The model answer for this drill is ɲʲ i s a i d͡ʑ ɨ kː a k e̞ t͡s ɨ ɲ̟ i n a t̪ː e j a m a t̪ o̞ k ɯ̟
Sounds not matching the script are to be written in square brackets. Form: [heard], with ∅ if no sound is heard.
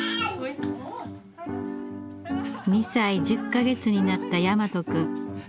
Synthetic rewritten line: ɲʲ i s a i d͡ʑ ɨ kː a [ɡ] e̞ t͡s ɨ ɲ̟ i n a t̪ː [a] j a m a t̪ o̞ k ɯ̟